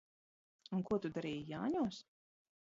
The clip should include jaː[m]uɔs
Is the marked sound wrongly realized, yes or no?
yes